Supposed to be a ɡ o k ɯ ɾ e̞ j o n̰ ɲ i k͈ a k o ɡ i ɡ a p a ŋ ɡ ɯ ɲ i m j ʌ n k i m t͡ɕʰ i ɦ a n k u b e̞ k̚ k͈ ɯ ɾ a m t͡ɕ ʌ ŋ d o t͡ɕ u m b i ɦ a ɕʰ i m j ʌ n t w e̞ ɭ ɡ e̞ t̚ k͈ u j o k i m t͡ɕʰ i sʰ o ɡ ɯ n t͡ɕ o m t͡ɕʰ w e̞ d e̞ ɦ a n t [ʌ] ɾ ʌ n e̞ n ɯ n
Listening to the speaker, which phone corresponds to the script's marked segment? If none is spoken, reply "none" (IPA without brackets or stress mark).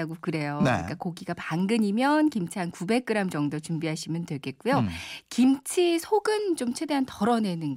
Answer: ʌ